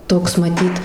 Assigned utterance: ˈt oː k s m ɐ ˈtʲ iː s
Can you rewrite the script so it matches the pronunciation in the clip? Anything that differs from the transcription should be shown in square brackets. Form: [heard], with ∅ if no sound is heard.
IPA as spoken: ˈt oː k s m ɐ ˈtʲ iː [t]